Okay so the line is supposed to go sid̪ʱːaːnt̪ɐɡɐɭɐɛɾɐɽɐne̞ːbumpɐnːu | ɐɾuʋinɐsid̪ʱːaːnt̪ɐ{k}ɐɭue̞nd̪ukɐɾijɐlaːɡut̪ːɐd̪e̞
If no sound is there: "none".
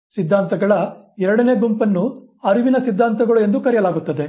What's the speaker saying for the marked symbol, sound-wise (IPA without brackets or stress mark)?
ɡ